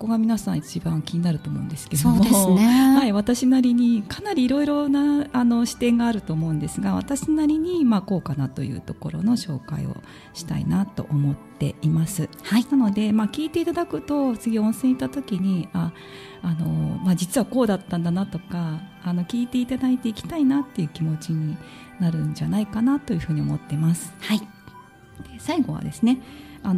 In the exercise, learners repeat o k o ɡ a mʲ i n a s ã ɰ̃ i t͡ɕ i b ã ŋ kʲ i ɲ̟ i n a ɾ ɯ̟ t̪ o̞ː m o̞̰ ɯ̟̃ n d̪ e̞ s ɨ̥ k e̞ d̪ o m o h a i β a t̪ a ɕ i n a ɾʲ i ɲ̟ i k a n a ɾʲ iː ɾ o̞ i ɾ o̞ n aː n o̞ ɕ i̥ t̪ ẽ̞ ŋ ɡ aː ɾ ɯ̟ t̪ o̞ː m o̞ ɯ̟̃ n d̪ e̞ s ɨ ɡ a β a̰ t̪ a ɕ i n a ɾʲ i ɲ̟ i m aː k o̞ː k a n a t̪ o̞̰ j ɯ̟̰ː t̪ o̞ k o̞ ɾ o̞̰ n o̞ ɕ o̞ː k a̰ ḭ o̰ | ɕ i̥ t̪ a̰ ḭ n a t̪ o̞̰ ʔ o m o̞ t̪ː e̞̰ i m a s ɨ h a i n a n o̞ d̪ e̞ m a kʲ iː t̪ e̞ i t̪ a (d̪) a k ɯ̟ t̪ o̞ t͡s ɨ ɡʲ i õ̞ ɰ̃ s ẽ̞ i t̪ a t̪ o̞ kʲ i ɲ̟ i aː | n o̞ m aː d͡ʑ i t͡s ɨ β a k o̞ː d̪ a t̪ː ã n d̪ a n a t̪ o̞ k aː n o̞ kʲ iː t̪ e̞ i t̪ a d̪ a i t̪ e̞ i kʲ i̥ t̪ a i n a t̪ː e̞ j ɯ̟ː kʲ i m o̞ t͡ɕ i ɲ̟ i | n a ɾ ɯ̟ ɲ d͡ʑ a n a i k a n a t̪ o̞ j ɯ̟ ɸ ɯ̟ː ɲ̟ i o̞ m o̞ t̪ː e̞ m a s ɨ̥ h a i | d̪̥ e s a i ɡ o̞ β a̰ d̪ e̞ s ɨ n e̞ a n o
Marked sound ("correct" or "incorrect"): correct